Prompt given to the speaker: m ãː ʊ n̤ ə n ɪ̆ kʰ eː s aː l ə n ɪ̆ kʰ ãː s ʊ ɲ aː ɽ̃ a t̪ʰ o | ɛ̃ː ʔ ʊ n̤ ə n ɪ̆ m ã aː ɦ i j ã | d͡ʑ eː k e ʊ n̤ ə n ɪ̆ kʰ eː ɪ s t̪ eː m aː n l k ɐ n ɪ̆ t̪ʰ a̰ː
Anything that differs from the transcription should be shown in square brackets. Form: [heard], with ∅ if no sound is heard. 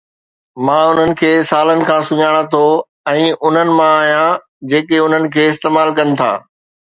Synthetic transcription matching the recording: m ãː ʊ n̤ ə n ɪ̆ kʰ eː s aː l ə n ɪ̆ kʰ ãː s ʊ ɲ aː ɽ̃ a t̪ʰ o | ɛ̃ː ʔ ʊ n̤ ə n ɪ̆ m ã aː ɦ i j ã | d͡ʑ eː k e ʊ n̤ ə n ɪ̆ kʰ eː ɪ s t̪ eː m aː [∅] l k ɐ n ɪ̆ t̪ʰ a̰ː